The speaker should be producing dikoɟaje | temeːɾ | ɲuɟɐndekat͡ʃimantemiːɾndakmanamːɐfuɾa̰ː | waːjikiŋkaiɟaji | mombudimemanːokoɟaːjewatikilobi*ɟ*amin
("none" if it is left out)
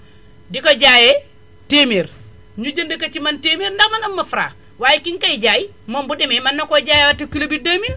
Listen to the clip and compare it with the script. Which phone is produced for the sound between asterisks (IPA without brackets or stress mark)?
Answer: d